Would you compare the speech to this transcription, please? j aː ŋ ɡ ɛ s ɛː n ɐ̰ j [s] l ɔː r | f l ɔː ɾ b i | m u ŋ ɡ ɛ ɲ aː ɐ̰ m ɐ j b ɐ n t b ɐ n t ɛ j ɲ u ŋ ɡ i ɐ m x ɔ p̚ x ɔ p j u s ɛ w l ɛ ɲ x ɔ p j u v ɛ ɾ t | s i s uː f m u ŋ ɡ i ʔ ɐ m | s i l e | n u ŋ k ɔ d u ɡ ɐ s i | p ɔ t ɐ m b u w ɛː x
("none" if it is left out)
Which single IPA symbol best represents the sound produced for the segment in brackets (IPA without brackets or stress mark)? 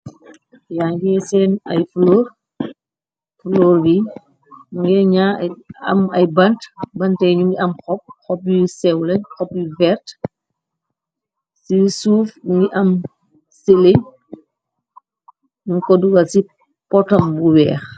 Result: f